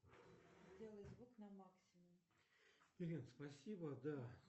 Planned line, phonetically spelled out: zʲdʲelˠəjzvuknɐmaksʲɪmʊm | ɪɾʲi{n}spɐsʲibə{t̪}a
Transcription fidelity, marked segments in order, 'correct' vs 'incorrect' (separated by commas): correct, incorrect